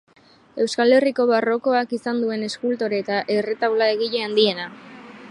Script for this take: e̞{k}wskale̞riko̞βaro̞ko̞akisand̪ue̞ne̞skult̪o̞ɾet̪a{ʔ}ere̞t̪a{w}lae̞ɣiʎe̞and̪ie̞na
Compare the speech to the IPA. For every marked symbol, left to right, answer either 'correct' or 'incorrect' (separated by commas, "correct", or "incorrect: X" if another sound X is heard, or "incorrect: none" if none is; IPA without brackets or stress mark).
incorrect: none, correct, correct